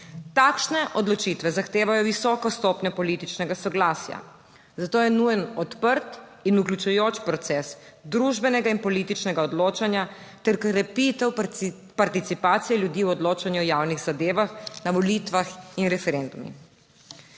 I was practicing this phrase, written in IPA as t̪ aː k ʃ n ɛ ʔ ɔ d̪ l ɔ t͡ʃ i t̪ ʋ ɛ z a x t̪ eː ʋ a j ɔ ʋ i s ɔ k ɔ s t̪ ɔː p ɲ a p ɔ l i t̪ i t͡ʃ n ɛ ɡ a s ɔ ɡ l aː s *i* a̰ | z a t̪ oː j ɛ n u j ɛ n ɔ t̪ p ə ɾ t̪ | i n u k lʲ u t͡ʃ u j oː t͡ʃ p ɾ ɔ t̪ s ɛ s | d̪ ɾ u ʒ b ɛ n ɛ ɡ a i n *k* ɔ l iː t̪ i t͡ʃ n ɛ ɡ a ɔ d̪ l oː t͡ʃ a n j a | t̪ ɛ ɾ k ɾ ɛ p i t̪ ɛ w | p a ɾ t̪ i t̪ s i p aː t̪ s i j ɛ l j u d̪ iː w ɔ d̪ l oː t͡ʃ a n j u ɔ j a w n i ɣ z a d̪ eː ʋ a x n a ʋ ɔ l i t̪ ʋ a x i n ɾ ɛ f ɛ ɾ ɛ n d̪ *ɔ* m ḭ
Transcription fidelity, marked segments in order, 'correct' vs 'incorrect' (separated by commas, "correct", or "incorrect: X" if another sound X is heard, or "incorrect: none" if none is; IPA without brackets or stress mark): incorrect: j, incorrect: p, incorrect: u